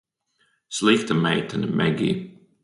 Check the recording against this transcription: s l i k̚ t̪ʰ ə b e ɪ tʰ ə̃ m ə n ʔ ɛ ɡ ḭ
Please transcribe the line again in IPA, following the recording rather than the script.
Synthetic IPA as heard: s l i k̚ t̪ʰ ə m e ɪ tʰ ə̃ n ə m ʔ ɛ ɡ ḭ

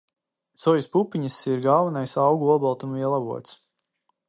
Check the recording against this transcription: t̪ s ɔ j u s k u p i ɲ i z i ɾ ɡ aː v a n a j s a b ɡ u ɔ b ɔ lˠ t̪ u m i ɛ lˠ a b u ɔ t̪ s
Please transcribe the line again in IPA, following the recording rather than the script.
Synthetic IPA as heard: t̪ s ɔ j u s p u p i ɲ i s i ɾ ɡ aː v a n a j s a w ɡ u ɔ b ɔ lˠ t̪ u m i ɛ lˠ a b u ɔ t̪ s

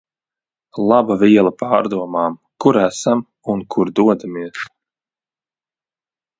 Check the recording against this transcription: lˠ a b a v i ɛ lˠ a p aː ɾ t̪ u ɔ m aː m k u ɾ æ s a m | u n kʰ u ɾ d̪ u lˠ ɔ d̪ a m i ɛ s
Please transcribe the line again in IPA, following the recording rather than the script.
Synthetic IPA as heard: lˠ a b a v i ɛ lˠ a p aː ɾ d̪ u ɔ m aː m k u ɾ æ s a m | u n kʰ u ɾ d̪ u ɔ d̪ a m i ɛ s

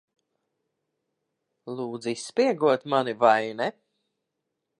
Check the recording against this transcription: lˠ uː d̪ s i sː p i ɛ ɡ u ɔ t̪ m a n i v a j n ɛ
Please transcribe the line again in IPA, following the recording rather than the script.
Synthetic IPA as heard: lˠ uː d̪ z i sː p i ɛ ɡ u ɔ t̪ m a n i v a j n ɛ

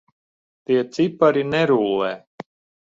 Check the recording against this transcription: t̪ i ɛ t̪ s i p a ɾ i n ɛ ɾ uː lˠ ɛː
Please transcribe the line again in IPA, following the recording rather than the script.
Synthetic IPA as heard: t̪ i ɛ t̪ s i p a ɾ i n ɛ ɾ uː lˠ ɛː

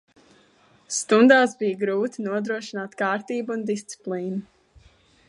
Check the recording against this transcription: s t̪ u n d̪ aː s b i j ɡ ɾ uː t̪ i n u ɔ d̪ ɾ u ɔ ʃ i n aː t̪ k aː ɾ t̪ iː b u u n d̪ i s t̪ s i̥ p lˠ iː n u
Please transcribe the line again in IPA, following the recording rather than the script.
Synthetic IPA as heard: s t̪ u n d̪ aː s b i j ɡ ɾ uː t̪ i n u ɔ d̪ ɾ u ɔ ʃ i n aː t̪ k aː ɾ t̪ iː b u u n d̪ i s t̪ s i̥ p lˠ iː n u

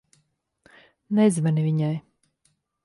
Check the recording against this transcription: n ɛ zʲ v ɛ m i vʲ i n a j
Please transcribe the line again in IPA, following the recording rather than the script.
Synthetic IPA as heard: n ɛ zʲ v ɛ n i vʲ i ɲ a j

